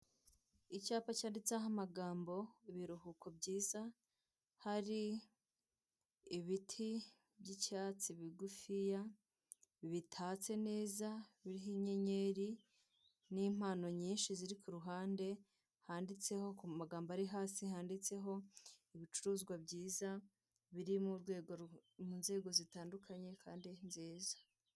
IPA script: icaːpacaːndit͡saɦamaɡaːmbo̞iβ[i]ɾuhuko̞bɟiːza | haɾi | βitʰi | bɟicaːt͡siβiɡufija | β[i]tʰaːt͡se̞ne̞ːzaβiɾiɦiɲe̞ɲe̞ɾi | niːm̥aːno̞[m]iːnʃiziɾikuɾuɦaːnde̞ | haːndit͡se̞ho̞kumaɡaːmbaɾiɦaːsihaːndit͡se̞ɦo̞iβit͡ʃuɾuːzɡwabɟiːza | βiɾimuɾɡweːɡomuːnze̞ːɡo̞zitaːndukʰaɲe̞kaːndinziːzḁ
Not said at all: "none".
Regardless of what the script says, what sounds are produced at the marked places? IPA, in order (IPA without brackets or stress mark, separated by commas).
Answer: i, i, ɲ